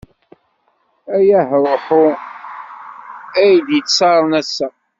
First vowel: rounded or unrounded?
unrounded